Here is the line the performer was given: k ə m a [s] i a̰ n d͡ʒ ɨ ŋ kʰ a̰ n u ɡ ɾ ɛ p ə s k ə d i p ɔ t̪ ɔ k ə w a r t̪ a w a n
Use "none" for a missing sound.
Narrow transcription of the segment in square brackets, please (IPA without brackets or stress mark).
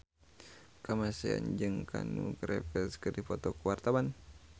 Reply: s